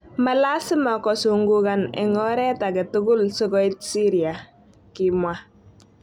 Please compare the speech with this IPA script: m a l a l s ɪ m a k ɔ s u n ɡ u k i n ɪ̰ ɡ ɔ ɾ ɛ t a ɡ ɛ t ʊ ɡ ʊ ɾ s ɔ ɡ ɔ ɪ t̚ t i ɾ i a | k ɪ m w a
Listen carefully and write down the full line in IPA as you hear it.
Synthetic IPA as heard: m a l a s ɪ m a k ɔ s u ŋ ɡ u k a n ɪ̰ ŋ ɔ ɾ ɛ t a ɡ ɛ t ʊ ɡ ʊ l s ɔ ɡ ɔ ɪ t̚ s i ɾ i a | k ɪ m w a